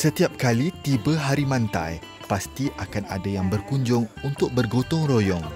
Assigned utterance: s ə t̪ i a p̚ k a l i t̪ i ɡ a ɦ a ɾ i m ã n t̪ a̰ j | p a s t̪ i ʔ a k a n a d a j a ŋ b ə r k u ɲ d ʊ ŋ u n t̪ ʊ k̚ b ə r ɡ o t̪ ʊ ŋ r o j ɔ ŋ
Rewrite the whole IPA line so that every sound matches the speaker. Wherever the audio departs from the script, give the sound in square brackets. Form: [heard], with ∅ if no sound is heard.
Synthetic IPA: s ə t̪ i a p̚ k a l i t̪ i [b] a ɦ a ɾ i m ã n t̪ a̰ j | p a s t̪ i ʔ a k a n a d a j a ŋ b ə r k u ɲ [d͡ʒ] ʊ ŋ u n t̪ ʊ k̚ b ə r ɡ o t̪ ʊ ŋ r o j ɔ ŋ